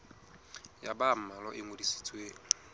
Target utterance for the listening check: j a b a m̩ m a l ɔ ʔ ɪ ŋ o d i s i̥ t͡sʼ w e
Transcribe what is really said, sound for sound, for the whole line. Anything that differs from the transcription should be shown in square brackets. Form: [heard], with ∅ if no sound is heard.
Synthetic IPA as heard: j a b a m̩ m a l ɔ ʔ ɪ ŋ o d i s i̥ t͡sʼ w e